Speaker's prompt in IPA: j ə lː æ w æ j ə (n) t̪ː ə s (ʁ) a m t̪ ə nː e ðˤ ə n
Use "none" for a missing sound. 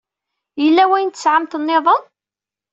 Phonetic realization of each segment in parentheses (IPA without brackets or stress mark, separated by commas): n, ʕ